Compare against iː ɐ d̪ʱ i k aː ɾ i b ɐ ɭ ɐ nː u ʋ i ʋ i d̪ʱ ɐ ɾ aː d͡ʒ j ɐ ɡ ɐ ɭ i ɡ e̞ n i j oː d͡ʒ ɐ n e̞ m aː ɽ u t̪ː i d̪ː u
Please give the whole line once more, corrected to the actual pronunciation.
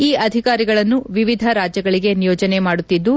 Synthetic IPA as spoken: iː ɐ d̪ʱ i k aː ɾ i ɡ ɐ ɭ ɐ nː u ʋ i ʋ i d̪ʱ ɐ ɾ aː d͡ʒ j ɐ ɡ ɐ ɭ i ɡ e̞ n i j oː d͡ʒ ɐ n e̞ m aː ɽ u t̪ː i d̪ː u